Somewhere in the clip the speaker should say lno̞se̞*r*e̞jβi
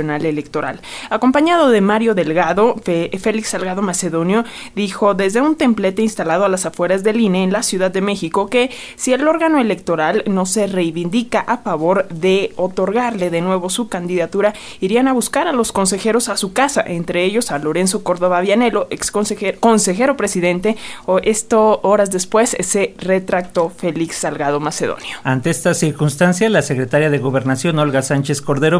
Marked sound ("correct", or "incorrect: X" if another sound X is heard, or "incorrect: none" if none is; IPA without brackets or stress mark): correct